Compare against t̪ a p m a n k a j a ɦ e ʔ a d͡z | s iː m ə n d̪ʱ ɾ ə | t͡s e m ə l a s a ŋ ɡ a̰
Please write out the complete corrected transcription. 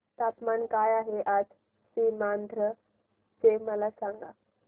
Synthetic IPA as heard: t̪ a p m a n k a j a ɦ e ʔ a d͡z | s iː m a n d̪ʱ ɾ ə | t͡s e m ə l a s a ŋ ɡ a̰